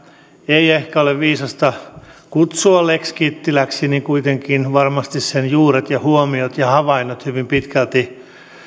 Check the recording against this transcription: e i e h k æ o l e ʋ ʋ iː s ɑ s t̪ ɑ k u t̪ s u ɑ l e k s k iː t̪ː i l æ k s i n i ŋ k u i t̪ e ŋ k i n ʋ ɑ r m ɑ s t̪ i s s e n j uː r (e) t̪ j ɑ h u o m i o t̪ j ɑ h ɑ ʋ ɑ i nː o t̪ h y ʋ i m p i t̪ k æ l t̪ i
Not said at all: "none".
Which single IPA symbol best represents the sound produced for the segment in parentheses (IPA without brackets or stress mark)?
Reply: e